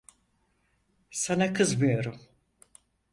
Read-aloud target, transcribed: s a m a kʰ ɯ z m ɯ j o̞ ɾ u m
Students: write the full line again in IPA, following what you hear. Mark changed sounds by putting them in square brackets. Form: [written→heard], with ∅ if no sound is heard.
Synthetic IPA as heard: s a [m→n] a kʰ ɯ z m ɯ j o̞ ɾ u m

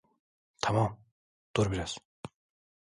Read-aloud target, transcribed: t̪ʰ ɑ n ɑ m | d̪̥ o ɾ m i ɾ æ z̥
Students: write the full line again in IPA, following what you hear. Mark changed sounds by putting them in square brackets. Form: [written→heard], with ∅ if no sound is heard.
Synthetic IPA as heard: t̪ʰ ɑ [n→m] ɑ m | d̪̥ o ɾ [m→b] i ɾ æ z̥

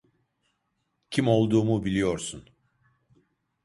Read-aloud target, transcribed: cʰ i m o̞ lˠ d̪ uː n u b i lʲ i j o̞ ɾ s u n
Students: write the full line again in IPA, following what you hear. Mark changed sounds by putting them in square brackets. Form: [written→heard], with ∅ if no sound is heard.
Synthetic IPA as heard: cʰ i m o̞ lˠ d̪ uː [n→m] u b i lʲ i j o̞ ɾ s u n

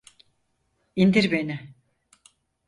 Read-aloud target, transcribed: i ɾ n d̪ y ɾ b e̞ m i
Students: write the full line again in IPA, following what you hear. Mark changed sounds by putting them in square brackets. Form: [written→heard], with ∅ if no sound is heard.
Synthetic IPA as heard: i [ɾ→∅] n d̪ [y→i] ɾ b e̞ [m→n] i

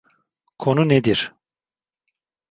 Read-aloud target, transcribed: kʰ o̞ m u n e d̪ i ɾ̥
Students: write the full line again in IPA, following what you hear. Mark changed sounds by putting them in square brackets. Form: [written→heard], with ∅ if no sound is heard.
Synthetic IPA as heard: kʰ o̞ [m→n] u n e d̪ i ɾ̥

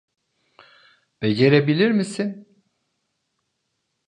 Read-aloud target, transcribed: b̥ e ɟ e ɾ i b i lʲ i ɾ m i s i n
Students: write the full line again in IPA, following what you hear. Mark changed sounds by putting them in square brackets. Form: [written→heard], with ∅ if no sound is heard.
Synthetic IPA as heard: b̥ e ɟ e ɾ [i→e] b i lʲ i ɾ m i s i n

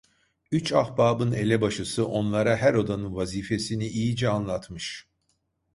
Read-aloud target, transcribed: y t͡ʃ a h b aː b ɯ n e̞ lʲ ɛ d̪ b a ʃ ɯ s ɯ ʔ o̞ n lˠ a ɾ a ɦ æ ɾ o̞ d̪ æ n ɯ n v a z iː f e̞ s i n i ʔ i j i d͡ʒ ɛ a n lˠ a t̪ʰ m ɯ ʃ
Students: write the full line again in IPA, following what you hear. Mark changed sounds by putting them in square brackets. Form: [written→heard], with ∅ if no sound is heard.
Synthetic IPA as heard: y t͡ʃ a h b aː b ɯ n e̞ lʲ ɛ [d̪→∅] b a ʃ ɯ s ɯ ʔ o̞ n lˠ a ɾ a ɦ æ ɾ o̞ d̪ [æ→a] n ɯ n v a z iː f e̞ s i n i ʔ i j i d͡ʒ ɛ a n lˠ a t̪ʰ m ɯ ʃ

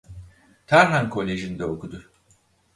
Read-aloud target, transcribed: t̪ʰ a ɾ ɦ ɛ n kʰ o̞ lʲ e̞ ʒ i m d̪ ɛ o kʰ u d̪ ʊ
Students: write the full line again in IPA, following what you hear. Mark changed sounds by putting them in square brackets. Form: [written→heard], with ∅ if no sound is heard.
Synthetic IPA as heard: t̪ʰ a ɾ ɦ [ɛ→a] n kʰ o̞ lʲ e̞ ʒ i [m→n] d̪ ɛ o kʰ u d̪ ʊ

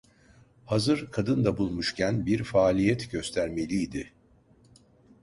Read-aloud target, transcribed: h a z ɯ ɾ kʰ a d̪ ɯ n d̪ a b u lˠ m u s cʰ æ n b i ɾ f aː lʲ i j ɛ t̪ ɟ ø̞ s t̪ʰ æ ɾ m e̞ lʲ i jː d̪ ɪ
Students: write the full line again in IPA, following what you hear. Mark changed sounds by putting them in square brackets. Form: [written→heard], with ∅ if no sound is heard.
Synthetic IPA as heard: h a z ɯ ɾ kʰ a d̪ ɯ n d̪ a b u lˠ m u [s→ʃ] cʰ æ n b i ɾ f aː lʲ i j ɛ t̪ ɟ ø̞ s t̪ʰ æ ɾ m e̞ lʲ i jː d̪ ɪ

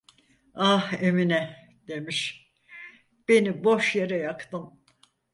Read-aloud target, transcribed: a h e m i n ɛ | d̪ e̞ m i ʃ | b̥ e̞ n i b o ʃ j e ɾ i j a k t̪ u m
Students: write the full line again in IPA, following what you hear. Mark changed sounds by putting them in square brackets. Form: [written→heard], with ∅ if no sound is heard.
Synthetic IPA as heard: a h e m i n ɛ | d̪ e̞ m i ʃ | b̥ e̞ n i b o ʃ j e ɾ [i→ɛ] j a k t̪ [u→ɯ] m

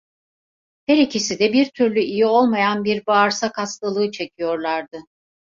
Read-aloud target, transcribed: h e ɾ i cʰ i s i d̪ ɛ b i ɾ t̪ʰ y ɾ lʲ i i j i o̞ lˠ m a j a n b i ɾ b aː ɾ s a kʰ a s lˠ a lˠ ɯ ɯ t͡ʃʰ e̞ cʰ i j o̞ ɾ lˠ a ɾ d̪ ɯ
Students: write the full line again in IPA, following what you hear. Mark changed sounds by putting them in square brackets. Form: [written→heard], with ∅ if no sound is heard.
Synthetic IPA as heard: h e ɾ i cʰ i s i d̪ ɛ b i ɾ t̪ʰ y ɾ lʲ [i→y] i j i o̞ lˠ m a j a n b i ɾ b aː ɾ s a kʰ a s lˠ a lˠ ɯ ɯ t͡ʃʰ e̞ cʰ i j o̞ ɾ lˠ a ɾ d̪ ɯ

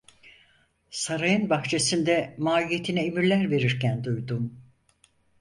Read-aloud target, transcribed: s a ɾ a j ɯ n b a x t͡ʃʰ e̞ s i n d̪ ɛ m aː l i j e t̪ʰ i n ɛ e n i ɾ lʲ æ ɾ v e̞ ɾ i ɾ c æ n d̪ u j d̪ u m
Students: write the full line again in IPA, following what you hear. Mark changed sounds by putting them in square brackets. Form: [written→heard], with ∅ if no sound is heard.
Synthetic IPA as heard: s a ɾ a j ɯ n b a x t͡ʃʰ e̞ s i n d̪ ɛ m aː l i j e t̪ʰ i n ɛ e [n→m] i ɾ lʲ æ ɾ v e̞ ɾ i ɾ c æ n d̪ u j d̪ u m

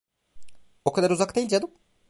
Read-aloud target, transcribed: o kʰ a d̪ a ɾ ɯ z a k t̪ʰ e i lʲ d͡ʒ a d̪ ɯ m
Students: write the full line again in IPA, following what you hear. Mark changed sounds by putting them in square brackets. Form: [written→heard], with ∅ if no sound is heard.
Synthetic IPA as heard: o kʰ a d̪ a ɾ [ɯ→u] z a k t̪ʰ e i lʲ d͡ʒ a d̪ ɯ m

